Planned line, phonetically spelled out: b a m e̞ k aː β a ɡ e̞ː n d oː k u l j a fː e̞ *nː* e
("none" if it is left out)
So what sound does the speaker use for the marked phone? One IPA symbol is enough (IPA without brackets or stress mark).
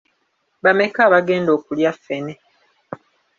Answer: n